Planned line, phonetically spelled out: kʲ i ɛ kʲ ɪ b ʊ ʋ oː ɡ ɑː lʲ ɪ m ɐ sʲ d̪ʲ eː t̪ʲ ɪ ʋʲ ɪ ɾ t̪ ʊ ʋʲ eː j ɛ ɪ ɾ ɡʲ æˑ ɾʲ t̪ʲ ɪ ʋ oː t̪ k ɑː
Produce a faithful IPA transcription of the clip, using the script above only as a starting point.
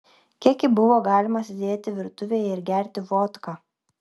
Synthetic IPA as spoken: kʲ i ɛ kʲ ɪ b ʊ ʋ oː ɡ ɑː lʲ ɪ m ɐ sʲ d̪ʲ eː t̪ʲ ɪ ʋʲ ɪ ɾ t̪ ʊ ʋʲ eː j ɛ ɪ ɾ ɡʲ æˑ ɾʲ t̪ʲ ɪ ʋ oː t̪ k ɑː